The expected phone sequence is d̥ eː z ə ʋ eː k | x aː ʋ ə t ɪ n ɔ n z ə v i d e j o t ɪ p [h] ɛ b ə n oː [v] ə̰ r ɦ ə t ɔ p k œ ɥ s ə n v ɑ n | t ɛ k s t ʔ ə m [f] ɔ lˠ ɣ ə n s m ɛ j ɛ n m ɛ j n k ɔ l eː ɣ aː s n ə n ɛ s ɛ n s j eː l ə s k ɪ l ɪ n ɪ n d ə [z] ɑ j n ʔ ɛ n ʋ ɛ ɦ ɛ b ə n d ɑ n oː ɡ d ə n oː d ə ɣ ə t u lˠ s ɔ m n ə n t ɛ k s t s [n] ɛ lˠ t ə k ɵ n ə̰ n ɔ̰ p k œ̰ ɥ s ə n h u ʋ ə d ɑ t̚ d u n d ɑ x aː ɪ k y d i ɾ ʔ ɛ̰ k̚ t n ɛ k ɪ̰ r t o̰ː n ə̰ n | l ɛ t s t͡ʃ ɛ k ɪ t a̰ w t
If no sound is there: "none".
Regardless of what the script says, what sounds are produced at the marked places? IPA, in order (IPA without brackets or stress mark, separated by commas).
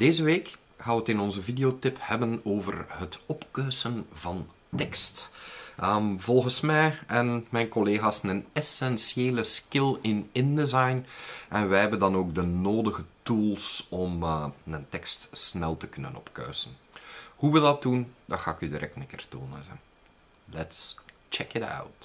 h, v, v, z, n